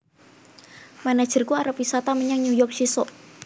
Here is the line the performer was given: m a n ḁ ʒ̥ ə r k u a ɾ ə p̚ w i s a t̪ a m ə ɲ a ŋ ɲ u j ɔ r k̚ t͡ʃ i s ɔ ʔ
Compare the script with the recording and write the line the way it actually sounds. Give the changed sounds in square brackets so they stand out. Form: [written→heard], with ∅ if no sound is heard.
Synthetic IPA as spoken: m a n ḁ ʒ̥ ə r k u a ɾ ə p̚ w i s a t̪ a m ə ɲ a ŋ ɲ u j ɔ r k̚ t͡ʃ i s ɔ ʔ